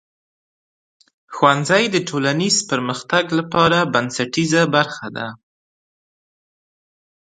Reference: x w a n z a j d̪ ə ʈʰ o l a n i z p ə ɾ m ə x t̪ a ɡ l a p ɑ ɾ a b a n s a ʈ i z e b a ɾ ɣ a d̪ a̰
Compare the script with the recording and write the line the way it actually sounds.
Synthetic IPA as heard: x w a n z a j d̪ ə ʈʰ o l a n i z p ə ɾ m ə x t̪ a ɡ l a p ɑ ɾ a b a n s a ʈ i z a b a ɾ x a d̪ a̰